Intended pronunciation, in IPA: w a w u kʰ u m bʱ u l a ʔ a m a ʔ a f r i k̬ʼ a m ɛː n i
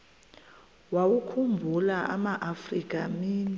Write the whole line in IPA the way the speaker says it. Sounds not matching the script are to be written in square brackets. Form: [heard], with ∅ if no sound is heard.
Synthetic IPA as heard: w a w u kʰ u m bʱ u l a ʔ a m a ʔ a f r i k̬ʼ a m [iː] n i